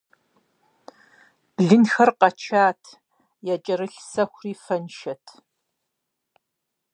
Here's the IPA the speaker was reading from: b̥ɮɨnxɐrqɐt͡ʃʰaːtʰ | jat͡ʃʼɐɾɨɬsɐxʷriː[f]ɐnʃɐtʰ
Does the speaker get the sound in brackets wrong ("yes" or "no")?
no